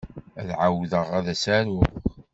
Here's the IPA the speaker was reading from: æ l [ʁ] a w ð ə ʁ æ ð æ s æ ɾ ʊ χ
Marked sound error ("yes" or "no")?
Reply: yes